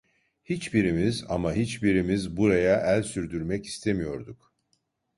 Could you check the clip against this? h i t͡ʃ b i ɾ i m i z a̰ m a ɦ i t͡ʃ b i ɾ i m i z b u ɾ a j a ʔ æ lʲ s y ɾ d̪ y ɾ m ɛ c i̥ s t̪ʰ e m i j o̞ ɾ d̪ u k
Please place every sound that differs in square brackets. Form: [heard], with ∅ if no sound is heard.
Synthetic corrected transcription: h i t͡ʃ b i ɾ i m i z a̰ m a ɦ i t͡ʃ b i ɾ i m i z b u ɾ a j a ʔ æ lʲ s y ɾ d̪ y ɾ m ɛ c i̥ s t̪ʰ e m i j o̞ ɾ d̪ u k

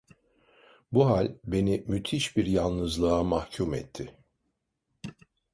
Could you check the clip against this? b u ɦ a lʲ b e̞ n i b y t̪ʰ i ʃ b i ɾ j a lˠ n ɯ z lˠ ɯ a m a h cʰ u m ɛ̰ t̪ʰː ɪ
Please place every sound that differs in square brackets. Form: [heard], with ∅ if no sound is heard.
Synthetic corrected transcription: b u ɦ a lʲ b e̞ n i [m] y t̪ʰ i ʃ b i ɾ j a lˠ n ɯ z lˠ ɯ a m a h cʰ u m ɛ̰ t̪ʰː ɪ

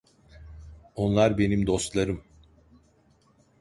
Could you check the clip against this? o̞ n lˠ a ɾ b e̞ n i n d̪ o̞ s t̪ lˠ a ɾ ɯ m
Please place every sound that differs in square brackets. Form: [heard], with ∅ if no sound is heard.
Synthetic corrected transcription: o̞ n lˠ a ɾ b e̞ n i [m] d̪ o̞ s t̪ lˠ a ɾ ɯ m

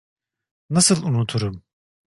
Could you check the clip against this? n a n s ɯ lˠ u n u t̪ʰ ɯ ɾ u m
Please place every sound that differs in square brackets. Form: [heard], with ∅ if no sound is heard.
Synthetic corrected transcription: n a [∅] s ɯ lˠ u n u t̪ʰ [u] ɾ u m

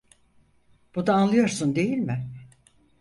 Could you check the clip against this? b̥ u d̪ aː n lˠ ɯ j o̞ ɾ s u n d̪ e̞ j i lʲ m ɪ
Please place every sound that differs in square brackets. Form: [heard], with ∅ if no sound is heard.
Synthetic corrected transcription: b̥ u d̪ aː n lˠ ɯ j o̞ ɾ s u n d̪ e̞ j i lʲ m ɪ

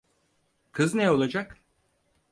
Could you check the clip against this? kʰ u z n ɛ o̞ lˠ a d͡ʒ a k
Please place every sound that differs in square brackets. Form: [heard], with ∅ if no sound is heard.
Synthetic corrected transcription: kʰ [ɯ] z n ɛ o̞ lˠ a d͡ʒ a k

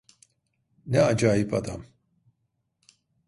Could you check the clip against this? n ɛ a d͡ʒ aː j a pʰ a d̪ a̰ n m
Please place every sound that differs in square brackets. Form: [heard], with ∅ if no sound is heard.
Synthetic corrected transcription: n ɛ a d͡ʒ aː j [i] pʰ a d̪ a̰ [∅] m

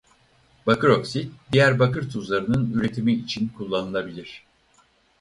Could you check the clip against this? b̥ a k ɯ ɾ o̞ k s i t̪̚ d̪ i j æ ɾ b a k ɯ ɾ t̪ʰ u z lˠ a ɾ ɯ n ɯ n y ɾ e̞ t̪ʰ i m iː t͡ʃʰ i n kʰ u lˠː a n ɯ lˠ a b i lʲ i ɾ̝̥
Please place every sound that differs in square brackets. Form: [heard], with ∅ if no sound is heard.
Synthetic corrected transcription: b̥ a k ɯ ɾ o̞ k s i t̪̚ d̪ i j æ ɾ b a k ɯ ɾ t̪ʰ u z lˠ a ɾ ɯ n ɯ n y ɾ e̞ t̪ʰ i m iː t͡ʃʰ i n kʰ u lˠː a n ɯ lˠ a b i lʲ i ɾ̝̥

